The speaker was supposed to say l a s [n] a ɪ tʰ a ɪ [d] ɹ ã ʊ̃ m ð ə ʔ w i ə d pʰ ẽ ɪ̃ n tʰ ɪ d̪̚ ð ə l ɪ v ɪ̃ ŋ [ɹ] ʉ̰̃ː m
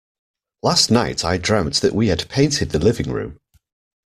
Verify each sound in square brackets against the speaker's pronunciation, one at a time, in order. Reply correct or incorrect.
correct, correct, correct

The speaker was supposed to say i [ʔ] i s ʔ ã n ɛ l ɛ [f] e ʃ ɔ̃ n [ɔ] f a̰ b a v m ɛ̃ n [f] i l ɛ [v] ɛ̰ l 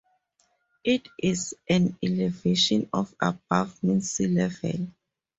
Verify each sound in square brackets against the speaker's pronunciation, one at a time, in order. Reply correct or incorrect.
incorrect: t, incorrect: v, correct, incorrect: s, correct

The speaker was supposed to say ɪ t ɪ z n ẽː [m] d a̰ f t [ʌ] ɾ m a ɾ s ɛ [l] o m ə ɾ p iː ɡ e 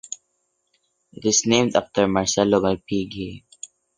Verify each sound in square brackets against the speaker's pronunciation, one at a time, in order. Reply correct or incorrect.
correct, incorrect: ə, correct

